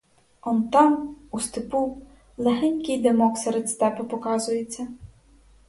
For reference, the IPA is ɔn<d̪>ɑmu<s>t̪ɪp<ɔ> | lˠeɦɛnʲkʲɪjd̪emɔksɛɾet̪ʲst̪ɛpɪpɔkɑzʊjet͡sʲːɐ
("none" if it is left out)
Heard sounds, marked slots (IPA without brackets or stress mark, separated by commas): t̪, s, u